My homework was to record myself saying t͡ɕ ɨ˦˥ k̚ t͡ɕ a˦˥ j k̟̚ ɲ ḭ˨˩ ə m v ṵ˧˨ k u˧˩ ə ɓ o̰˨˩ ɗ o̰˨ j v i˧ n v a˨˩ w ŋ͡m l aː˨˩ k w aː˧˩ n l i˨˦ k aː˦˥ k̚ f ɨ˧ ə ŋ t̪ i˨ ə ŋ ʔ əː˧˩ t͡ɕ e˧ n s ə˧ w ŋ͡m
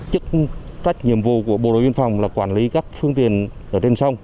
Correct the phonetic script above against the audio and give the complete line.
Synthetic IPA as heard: t͡ɕ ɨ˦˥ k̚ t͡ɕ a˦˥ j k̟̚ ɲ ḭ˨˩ ə m v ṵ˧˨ k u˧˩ ə ɓ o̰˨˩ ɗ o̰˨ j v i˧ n f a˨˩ w ŋ͡m l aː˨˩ k w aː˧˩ n l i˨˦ k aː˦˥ k̚ f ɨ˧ ə ŋ t̪ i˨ ə n ʔ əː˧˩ t͡ɕ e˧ n s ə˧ w ŋ͡m